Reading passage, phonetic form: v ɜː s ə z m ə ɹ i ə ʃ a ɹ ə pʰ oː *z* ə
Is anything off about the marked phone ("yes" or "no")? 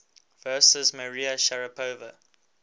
yes